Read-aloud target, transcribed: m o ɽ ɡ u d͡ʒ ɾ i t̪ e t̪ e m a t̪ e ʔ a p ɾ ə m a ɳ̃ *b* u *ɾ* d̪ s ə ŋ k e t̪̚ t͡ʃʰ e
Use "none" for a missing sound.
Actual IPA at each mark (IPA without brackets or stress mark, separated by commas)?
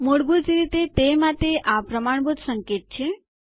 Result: b, none